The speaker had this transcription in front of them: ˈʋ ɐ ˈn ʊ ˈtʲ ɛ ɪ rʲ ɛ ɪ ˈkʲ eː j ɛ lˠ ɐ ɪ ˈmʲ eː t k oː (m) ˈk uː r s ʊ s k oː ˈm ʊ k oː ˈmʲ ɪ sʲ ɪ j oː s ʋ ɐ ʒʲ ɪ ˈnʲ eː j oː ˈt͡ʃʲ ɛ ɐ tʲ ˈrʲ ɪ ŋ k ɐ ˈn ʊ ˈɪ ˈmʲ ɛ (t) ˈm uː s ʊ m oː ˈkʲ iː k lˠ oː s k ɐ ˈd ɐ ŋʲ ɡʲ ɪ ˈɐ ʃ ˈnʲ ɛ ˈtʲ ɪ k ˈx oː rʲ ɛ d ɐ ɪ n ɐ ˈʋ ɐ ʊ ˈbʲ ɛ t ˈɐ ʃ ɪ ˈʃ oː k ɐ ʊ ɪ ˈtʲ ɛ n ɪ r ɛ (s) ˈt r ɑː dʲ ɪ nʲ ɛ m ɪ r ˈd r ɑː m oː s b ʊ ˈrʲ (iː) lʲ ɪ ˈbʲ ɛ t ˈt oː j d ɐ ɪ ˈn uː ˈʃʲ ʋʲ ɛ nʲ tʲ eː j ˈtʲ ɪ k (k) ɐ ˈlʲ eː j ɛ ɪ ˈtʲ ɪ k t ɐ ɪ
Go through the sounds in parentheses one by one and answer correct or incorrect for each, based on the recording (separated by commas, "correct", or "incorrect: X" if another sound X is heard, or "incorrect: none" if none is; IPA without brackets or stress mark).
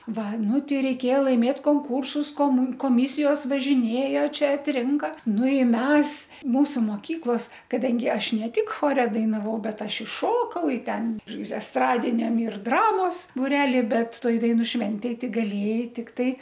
incorrect: ŋ, incorrect: s, correct, incorrect: æː, incorrect: ɡ